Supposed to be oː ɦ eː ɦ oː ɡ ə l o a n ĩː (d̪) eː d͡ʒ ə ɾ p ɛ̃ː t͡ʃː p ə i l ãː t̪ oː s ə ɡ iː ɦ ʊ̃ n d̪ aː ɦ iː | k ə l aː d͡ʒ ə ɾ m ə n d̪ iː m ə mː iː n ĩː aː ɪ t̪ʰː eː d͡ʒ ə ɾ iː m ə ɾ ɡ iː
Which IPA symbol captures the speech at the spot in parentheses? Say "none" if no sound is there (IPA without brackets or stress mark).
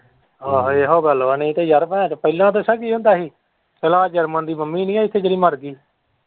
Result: t̪